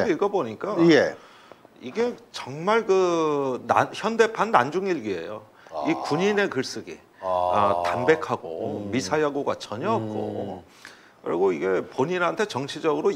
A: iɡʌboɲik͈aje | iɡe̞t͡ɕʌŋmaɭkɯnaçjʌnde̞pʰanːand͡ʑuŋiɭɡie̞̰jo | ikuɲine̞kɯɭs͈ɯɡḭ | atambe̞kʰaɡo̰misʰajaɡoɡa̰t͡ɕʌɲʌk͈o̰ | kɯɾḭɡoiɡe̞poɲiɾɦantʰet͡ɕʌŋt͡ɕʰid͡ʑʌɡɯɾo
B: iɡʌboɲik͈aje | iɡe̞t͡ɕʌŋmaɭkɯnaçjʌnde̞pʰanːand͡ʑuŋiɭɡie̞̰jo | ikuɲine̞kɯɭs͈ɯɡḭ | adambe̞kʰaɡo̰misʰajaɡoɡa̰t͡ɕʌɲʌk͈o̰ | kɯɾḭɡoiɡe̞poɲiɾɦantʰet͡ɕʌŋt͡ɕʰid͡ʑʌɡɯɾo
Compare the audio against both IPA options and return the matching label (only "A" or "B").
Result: A